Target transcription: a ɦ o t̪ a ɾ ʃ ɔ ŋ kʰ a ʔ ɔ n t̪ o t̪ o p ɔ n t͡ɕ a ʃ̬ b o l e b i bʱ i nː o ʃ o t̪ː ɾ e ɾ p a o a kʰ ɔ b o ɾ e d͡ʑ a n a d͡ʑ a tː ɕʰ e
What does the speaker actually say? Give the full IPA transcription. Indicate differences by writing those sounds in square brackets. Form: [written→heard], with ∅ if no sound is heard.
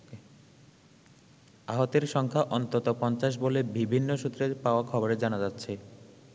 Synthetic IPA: a ɦ o t̪ [a→e] ɾ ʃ ɔ ŋ kʰ a ʔ ɔ n t̪ o t̪ o p ɔ n t͡ɕ a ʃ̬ b o l e b i bʱ i nː o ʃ [o→u] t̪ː ɾ e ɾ p a o a kʰ ɔ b o ɾ e d͡ʑ a n a d͡ʑ a tː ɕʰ e